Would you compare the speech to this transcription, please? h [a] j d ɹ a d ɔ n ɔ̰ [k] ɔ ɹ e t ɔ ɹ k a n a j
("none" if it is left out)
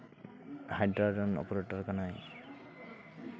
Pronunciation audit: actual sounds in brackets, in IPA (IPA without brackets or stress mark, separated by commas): a, p